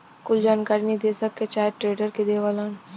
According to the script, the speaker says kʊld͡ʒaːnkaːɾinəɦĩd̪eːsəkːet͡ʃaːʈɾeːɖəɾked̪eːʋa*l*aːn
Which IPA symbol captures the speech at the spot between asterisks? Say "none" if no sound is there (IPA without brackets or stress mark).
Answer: l